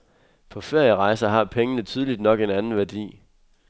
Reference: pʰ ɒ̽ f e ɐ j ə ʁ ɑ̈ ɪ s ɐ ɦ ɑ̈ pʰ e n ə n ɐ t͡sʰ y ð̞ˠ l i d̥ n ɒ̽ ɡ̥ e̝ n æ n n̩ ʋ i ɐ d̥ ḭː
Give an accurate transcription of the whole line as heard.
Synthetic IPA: pʰ ɒ̽ f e ɐ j ə ʁ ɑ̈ ɪ s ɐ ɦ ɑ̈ pʰ e ŋ ə n ə t͡sʰ y ð̞ˠ l i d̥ n ɒ̽ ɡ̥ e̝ n æ n n̩ ʋ æ ɐ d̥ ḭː